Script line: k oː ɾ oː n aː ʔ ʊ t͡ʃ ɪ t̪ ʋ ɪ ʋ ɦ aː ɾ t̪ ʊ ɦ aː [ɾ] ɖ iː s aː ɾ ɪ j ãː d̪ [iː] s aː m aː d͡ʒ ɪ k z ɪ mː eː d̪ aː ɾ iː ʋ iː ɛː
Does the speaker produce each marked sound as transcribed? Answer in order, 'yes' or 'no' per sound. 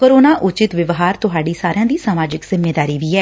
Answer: no, yes

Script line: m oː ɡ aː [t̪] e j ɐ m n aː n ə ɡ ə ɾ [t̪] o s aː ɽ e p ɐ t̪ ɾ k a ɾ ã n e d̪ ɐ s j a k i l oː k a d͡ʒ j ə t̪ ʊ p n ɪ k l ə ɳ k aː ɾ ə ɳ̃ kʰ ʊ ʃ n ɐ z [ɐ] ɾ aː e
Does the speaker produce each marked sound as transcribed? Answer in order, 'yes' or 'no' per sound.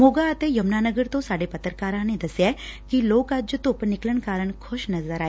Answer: yes, yes, no

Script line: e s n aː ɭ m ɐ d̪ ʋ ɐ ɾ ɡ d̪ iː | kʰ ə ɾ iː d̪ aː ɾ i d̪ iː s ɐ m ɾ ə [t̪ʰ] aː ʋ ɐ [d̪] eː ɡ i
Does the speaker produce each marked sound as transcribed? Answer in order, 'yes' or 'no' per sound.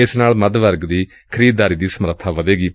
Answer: yes, yes

